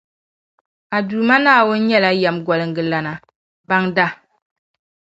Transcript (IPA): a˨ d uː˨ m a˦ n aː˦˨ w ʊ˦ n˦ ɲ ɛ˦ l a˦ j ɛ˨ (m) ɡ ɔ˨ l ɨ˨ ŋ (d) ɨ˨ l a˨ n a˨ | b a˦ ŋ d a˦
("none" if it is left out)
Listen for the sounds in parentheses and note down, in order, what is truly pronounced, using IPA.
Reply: m, ɡ

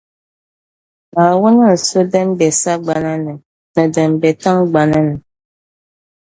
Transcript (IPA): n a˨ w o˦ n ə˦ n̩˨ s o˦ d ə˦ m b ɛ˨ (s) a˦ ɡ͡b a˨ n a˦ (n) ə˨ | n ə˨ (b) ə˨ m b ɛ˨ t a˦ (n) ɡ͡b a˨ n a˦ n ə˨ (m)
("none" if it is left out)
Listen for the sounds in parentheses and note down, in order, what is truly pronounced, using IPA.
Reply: s, n, d, ŋ, none

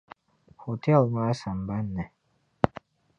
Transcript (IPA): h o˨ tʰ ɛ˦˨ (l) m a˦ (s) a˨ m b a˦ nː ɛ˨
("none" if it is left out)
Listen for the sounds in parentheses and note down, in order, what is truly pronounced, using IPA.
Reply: l, s

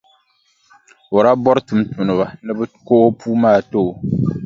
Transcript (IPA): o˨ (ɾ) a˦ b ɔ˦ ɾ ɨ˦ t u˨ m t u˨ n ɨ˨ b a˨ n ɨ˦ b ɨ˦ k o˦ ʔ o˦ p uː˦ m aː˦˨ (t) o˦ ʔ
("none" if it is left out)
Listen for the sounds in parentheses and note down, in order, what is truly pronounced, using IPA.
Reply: ɾ, t

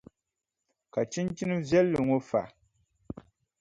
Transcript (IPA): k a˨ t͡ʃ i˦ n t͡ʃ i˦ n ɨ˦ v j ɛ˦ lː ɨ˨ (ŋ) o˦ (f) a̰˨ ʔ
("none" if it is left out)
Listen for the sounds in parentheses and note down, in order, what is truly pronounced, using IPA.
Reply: ŋ, f

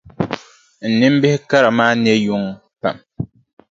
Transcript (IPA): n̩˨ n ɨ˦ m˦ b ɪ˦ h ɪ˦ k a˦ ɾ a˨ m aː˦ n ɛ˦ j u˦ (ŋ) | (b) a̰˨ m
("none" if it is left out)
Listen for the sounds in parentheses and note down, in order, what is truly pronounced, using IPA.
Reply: ŋ, p

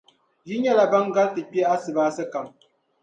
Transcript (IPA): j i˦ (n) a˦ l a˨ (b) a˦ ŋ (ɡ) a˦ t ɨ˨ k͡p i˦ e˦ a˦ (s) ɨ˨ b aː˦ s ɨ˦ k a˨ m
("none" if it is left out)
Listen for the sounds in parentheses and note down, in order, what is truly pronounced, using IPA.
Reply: ɲ, b, ɡ, s

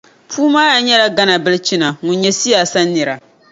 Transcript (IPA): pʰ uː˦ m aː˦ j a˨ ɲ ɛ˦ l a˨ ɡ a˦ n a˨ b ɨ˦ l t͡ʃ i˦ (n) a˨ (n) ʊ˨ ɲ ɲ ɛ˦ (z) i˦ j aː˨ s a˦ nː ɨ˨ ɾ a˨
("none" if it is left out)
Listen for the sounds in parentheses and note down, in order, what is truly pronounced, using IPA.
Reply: n, ŋ, s

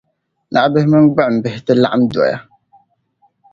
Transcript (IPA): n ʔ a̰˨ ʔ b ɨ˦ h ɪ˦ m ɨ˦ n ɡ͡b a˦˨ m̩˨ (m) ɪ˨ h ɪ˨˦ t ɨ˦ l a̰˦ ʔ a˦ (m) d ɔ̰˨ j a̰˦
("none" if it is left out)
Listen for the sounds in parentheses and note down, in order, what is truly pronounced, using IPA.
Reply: b, m

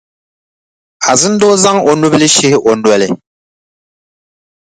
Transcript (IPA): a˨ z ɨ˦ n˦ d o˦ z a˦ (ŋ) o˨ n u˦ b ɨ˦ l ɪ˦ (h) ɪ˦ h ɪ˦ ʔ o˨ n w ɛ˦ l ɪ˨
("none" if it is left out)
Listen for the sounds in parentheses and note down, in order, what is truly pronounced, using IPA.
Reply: ŋ, ʃ

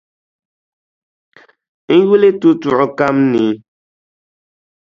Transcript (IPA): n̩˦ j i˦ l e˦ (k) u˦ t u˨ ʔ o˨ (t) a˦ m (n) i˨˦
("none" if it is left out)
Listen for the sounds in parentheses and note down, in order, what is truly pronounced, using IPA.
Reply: t, k, n

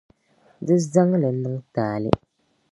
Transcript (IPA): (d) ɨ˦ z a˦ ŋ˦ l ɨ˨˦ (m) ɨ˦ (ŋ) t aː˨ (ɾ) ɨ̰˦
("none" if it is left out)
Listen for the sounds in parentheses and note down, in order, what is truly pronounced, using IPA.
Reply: d, n, ŋ, l

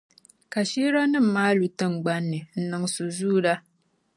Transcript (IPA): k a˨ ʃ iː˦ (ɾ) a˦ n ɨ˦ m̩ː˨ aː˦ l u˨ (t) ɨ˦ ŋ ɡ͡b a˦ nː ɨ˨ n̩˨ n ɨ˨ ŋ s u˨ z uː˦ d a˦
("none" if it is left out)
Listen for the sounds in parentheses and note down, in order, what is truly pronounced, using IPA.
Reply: ɾ, t

